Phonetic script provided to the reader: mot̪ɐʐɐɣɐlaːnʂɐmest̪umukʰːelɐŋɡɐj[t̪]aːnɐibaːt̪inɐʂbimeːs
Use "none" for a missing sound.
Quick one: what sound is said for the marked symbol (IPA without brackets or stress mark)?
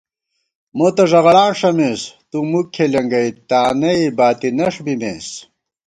t̪